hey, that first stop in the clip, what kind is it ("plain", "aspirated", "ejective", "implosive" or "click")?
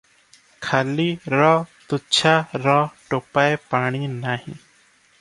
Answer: aspirated